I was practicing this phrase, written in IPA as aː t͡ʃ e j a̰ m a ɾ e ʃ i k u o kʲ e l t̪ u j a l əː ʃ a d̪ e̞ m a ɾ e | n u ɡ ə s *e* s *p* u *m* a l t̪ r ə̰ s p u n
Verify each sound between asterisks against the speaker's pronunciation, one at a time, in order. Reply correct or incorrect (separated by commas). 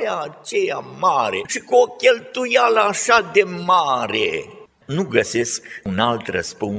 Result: correct, incorrect, incorrect